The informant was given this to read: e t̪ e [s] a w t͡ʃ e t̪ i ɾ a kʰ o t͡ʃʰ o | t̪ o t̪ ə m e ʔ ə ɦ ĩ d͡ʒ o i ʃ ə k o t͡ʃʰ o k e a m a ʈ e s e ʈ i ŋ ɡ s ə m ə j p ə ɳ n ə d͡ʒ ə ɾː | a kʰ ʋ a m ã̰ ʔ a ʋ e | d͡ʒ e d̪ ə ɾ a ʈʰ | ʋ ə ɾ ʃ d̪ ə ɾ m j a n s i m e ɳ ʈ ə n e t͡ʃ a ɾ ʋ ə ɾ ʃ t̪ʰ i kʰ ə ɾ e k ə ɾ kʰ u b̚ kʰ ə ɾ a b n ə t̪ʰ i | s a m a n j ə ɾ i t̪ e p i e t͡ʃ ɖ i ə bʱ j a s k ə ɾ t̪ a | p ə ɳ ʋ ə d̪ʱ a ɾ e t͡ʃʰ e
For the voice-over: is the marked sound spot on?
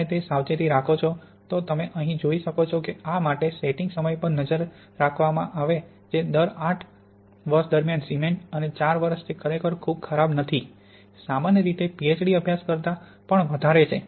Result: yes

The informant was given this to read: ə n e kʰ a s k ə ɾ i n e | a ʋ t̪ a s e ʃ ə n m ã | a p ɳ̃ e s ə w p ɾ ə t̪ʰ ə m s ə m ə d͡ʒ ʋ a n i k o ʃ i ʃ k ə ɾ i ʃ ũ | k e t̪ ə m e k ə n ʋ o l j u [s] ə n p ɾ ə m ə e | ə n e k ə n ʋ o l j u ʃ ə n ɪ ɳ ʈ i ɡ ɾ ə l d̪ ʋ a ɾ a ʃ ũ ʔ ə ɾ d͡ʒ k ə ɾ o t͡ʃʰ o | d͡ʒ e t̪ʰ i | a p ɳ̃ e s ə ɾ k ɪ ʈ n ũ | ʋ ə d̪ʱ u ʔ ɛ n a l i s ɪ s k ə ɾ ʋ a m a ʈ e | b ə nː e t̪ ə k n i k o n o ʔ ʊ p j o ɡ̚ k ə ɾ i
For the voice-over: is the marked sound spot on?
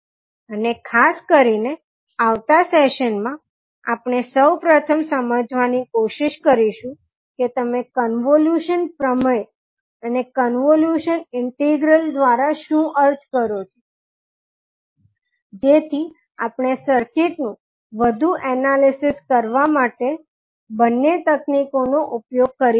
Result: no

